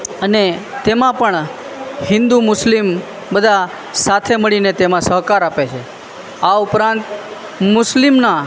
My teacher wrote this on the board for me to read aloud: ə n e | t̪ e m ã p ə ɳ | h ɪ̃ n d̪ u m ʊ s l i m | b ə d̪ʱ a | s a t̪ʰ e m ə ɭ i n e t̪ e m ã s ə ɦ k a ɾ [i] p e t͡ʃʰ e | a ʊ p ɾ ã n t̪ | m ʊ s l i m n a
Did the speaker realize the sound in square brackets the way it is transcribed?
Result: no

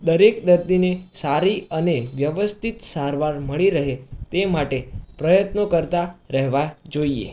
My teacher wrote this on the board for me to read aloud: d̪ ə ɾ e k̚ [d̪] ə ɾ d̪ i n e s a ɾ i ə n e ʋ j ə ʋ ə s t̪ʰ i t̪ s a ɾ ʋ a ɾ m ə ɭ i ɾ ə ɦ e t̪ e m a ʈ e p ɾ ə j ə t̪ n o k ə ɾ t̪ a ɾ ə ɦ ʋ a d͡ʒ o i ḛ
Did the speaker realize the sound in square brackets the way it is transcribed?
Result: yes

